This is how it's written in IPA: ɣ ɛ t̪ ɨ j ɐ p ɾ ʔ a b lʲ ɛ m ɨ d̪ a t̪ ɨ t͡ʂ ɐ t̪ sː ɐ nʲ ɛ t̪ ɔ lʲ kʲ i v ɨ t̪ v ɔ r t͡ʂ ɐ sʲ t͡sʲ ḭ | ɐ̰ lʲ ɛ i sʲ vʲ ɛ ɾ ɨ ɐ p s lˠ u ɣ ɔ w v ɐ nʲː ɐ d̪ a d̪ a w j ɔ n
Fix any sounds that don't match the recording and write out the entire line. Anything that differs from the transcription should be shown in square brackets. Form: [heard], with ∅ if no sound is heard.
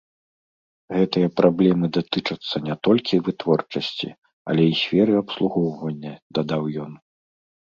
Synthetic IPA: ɣ ɛ t̪ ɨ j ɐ p ɾ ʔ a b lʲ ɛ m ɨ d̪ a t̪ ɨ t͡ʂ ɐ t̪ sː ɐ nʲ ɛ t̪ ɔ lʲ kʲ i v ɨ t̪ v ɔ r t͡ʂ ɐ sʲ t͡sʲ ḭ | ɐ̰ lʲ ɛ i sʲ [fʲ] ɛ ɾ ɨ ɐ p s lˠ u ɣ ɔ w v ɐ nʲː ɐ d̪ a d̪ a w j ɔ n

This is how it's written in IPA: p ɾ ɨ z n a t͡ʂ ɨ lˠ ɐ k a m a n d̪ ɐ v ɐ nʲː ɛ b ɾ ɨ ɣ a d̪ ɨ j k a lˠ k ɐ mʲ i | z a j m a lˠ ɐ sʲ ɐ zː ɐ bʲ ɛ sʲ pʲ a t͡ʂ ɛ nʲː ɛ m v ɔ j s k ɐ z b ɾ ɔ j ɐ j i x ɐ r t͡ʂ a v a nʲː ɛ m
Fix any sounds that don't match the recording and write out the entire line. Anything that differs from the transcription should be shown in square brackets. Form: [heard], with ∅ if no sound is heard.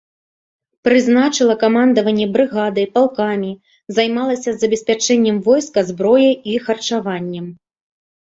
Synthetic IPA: p ɾ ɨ z n a t͡ʂ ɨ lˠ ɐ k a m a n d̪ ɐ v ɐ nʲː ɛ b ɾ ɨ ɣ a d̪ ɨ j [p] a lˠ k [a] mʲ i | z a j m a lˠ ɐ sʲ ɐ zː ɐ bʲ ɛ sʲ pʲ a t͡ʂ ɛ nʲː ɛ m v ɔ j s k ɐ z b ɾ ɔ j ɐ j i x ɐ r t͡ʂ a v a nʲː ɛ m

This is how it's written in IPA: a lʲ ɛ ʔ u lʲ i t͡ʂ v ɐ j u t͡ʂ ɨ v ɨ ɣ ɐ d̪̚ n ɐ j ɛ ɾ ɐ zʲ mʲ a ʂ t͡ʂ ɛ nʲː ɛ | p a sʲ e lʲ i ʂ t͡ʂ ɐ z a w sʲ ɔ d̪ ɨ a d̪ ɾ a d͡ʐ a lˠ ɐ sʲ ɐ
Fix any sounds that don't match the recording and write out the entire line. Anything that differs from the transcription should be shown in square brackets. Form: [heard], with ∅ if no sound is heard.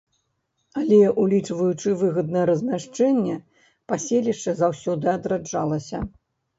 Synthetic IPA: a lʲ ɛ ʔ u lʲ i t͡ʂ v ɐ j u t͡ʂ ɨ v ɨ ɣ ɐ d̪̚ n ɐ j ɛ ɾ ɐ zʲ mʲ a ʂ t͡ʂ ɛ nʲː ɛ | p a sʲ e lʲ i ʂ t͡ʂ ɐ z a w sʲ ɔ d̪ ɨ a d̪ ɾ a d͡ʐ a lˠ ɐ sʲ ɐ

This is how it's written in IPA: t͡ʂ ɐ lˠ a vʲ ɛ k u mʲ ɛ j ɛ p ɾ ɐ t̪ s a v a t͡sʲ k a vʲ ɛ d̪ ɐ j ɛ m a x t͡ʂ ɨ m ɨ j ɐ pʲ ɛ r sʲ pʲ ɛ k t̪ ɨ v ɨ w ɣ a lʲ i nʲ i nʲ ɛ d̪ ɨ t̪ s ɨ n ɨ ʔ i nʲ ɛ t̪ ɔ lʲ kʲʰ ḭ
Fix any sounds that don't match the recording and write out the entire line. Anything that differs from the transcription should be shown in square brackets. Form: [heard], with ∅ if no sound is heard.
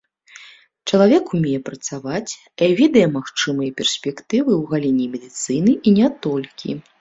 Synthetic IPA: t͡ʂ ɐ lˠ a vʲ ɛ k u mʲ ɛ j ɛ p ɾ ɐ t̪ s a v a t͡sʲ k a vʲ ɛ d̪ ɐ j ɛ m a x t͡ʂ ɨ m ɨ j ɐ pʲ ɛ r sʲ pʲ ɛ k t̪ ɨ v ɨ w ɣ a lʲ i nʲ i [mʲ] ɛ d̪ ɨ t̪ s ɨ n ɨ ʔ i nʲ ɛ t̪ ɔ lʲ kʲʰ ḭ

